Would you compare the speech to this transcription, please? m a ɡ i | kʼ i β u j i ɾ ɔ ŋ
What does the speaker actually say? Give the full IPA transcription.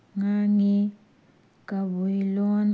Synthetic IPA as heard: ŋ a ŋ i | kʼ a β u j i l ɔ n